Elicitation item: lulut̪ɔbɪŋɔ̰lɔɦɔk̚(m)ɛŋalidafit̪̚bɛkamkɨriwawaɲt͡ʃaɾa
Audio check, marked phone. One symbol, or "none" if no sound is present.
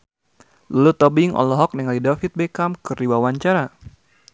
n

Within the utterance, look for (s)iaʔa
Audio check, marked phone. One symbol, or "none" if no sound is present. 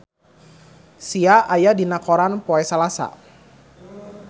s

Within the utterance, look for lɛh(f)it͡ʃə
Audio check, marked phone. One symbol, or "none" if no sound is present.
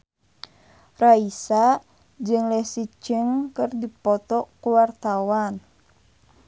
s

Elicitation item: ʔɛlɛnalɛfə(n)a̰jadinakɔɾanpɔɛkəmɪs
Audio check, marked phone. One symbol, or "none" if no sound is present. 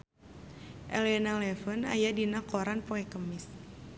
n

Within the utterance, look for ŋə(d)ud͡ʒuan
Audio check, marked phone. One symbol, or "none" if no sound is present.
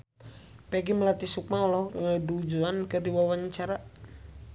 d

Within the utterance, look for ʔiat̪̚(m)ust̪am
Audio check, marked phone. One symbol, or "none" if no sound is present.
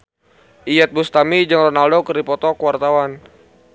b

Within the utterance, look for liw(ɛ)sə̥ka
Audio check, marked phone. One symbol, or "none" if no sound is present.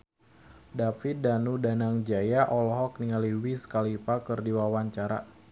i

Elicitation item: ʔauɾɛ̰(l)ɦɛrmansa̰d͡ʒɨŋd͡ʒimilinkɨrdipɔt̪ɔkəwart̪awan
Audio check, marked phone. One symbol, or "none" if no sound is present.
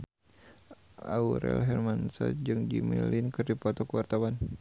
l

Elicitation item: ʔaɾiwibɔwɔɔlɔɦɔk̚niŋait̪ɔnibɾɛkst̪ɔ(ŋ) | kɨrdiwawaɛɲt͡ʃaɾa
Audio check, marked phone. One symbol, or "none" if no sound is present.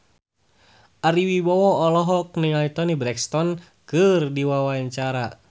n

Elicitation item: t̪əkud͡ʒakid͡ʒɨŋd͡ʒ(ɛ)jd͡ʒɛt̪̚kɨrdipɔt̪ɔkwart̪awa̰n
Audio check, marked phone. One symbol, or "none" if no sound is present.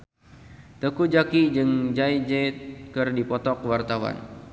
a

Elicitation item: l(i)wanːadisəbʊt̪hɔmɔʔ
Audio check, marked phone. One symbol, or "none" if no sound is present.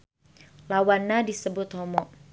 a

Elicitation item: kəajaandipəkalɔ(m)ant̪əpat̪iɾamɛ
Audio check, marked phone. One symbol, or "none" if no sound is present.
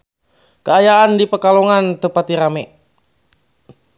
ŋ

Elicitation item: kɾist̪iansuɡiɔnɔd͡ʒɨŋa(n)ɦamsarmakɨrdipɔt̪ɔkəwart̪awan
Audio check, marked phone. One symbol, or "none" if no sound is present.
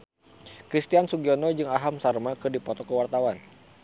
none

